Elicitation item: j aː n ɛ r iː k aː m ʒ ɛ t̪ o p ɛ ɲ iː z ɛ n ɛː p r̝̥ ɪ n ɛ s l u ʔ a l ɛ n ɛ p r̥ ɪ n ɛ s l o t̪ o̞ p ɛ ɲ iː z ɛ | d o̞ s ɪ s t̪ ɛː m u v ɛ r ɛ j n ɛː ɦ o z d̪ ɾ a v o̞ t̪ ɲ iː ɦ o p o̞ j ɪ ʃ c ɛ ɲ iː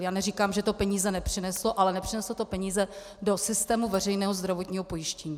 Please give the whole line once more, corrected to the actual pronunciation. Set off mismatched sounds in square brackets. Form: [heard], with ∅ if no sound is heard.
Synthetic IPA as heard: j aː n ɛ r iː k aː m ʒ ɛ t̪ o p ɛ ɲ iː z ɛ n [ɛ] p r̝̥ ɪ n ɛ s l [o] ʔ a l ɛ n ɛ p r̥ ɪ n ɛ s l o t̪ o̞ p ɛ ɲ iː z ɛ | d o̞ s ɪ s t̪ ɛː m u v ɛ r ɛ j n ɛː ɦ o z d̪ ɾ a v o̞ t̪ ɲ iː ɦ o p o̞ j ɪ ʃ c ɛ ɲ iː